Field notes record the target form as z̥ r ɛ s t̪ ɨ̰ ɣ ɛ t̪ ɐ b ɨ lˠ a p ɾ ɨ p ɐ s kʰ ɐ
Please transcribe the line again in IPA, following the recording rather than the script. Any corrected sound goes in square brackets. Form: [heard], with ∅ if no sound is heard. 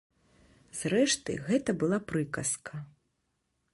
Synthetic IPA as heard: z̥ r ɛ [ʂ] t̪ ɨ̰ ɣ ɛ t̪ ɐ b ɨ lˠ a p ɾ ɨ [k] ɐ s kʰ ɐ

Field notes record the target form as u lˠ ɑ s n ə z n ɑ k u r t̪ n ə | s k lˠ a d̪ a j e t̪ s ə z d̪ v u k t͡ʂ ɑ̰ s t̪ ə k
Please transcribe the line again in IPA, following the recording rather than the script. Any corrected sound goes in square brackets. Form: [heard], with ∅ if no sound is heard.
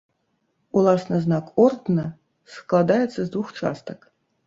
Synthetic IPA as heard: u lˠ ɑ s n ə z n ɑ k [o] r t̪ n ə | s k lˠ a d̪ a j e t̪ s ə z d̪ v u [x] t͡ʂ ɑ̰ s t̪ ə k

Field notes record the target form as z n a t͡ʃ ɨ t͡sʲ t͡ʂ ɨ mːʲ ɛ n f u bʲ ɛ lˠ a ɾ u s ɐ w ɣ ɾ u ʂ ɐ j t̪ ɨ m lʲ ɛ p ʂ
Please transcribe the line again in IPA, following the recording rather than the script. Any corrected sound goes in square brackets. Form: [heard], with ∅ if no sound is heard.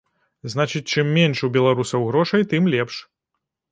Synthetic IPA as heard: z n a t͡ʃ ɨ t͡sʲ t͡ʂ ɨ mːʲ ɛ n [ʂ] u bʲ ɛ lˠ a ɾ u s ɐ w ɣ ɾ [ɔ] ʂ ɐ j t̪ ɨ m lʲ ɛ p ʂ

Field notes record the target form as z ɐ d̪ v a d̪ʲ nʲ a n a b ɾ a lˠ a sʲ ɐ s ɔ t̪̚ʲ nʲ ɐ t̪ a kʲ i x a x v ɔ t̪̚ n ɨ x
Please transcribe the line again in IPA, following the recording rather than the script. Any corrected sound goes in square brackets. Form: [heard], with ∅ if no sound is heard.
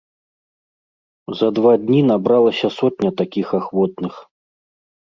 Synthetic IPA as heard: z ɐ d̪ v a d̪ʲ nʲ [i] n a b ɾ a lˠ [ɐ] sʲ ɐ s ɔ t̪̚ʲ nʲ ɐ t̪ a kʲ i x a x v ɔ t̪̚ n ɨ x

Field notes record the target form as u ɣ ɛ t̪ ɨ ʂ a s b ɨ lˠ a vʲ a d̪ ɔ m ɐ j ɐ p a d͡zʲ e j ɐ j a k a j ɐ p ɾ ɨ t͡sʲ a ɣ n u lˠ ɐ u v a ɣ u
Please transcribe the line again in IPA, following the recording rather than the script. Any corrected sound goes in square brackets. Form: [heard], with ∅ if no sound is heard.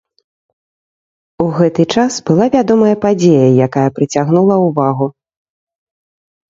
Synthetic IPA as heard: u ɣ ɛ t̪ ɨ [t͡ʂ] a s b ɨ lˠ a vʲ a d̪ ɔ m ɐ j ɐ p a d͡zʲ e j ɐ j a k a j ɐ p ɾ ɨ t͡sʲ a ɣ n u lˠ ɐ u v a ɣ u

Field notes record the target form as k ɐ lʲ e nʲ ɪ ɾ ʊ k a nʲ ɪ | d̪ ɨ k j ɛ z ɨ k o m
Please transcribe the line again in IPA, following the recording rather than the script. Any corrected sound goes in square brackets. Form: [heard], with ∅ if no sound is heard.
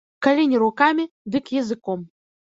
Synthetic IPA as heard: k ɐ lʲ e nʲ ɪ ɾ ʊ k a [mʲ] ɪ | d̪ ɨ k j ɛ z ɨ k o m

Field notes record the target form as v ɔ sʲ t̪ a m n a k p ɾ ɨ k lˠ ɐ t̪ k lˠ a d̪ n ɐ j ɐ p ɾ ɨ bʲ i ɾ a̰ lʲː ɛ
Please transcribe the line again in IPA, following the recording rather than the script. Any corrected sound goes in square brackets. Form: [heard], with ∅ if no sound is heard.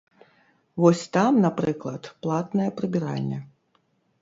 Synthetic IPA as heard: v ɔ sʲ t̪ a m n a [∅] p ɾ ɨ k lˠ ɐ t̪ [p] lˠ a [t̪] n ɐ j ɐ p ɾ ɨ bʲ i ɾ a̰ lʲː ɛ

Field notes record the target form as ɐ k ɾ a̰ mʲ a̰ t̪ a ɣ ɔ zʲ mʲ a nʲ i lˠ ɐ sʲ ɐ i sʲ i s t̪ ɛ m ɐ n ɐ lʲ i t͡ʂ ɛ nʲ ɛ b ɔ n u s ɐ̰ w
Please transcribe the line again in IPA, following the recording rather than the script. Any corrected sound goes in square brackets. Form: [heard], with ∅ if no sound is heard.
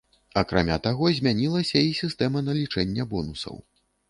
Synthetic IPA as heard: ɐ k ɾ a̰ mʲ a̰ t̪ a ɣ ɔ zʲ mʲ a nʲ i lˠ ɐ sʲ ɐ i sʲ i s t̪ ɛ m ɐ n ɐ lʲ i t͡ʂ ɛ [nʲː] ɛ b ɔ n u s ɐ̰ w

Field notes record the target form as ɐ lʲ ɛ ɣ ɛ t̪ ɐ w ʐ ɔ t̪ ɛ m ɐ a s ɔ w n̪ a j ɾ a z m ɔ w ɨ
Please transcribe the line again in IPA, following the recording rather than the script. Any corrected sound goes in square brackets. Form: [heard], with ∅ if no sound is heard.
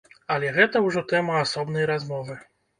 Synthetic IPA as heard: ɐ lʲ ɛ ɣ ɛ t̪ ɐ w ʐ ɔ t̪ ɛ m ɐ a s ɔ [b] n̪ [ɐ] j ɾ a z m ɔ [v] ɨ

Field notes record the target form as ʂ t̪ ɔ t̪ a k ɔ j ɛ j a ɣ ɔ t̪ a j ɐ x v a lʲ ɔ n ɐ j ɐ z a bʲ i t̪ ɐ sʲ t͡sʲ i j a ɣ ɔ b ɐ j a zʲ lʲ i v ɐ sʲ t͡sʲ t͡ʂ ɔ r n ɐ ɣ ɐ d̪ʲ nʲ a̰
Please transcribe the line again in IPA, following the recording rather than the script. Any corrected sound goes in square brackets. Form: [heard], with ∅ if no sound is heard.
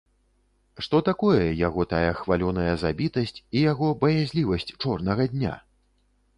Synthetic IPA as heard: ʂ t̪ ɔ t̪ a k ɔ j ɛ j a ɣ ɔ t̪ a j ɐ x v a lʲ ɔ n ɐ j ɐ z a bʲ i t̪ ɐ sʲ t͡sʲ i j a ɣ ɔ b ɐ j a zʲ lʲ i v ɐ sʲ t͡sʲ t͡ʂ ɔ r n ɐ ɣ ɐ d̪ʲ nʲ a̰

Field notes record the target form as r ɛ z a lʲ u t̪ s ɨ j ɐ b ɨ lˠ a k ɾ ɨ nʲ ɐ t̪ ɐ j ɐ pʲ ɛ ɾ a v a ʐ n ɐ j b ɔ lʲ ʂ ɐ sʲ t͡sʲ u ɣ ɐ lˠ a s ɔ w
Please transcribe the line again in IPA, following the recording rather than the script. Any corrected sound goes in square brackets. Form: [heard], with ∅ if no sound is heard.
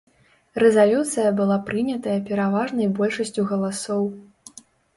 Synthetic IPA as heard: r ɛ z a lʲ u t̪ s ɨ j ɐ b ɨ lˠ a [p] ɾ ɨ nʲ ɐ t̪ ɐ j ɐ pʲ ɛ ɾ a v a ʐ n ɐ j b ɔ lʲ ʂ ɐ sʲ t͡sʲ u ɣ ɐ lˠ a s ɔ w

